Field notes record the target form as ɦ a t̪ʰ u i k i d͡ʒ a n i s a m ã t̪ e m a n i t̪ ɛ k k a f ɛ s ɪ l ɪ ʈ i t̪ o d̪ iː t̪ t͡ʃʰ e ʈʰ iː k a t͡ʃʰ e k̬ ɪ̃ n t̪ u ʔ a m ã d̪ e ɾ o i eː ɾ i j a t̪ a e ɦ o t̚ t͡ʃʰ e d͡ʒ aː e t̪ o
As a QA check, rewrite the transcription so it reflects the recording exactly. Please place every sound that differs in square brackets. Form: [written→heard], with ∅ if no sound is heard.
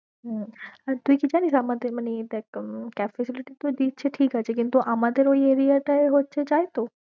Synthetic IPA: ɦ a [t̪ʰ→t̪] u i k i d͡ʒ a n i s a m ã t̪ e m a n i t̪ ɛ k k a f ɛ s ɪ l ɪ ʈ i t̪ o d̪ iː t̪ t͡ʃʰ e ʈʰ iː k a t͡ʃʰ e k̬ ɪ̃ n t̪ u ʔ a m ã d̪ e ɾ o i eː ɾ i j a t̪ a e ɦ o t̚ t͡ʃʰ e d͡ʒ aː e t̪ o

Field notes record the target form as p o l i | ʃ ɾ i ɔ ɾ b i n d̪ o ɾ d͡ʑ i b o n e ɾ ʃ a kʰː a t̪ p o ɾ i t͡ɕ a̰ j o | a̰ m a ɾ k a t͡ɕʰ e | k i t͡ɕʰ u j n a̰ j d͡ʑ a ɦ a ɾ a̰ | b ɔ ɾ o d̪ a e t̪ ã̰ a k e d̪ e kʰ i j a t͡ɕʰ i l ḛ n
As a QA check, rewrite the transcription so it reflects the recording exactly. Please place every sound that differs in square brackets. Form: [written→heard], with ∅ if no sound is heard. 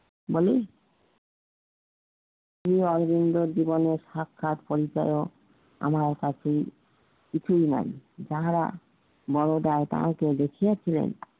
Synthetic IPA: [p→b] o l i | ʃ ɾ i ɔ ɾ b i n d̪ o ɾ d͡ʑ i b o n e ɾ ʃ a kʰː a t̪ p o ɾ i t͡ɕ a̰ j o | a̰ m a ɾ k a t͡ɕʰ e | k i t͡ɕʰ u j n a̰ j d͡ʑ a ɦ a ɾ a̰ | b ɔ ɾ o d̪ a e t̪ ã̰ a k e d̪ e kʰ i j a t͡ɕʰ i l ḛ n

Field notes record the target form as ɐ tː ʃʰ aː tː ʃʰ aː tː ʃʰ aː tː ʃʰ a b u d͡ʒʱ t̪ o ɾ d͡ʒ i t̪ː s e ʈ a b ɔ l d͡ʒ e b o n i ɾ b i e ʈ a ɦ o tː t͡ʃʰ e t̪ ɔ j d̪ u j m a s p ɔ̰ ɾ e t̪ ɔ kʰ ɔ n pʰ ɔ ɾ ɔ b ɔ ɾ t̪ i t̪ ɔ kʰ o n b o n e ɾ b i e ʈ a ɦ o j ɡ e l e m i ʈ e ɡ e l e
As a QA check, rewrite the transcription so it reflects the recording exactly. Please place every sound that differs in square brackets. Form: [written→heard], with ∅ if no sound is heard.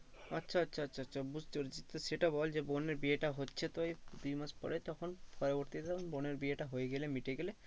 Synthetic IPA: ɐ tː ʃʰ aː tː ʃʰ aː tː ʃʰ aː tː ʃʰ a b u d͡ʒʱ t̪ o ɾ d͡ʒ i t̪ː s e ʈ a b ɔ l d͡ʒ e b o n [i→e] ɾ b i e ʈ a ɦ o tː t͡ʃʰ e t̪ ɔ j d̪ u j m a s p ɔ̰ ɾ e t̪ ɔ kʰ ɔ n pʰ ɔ ɾ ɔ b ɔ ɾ t̪ i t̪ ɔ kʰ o n b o n e ɾ b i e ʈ a ɦ o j ɡ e l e m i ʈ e ɡ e l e

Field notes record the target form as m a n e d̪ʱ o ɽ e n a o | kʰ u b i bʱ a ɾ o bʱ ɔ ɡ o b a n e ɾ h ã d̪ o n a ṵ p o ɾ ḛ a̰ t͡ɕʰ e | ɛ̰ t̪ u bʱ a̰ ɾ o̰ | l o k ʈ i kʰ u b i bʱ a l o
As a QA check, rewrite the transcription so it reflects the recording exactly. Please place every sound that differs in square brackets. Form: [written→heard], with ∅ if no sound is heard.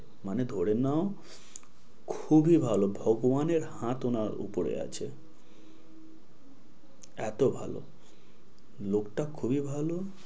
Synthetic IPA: m a n e d̪ʱ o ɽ e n a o | kʰ u b i bʱ a [ɾ→l] o bʱ ɔ ɡ o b a n e ɾ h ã [d̪→t̪] o n a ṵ p o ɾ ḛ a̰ t͡ɕʰ e | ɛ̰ t̪ [u→o] bʱ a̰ [ɾ→l] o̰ | l o k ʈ [i→a] kʰ u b i bʱ a l o

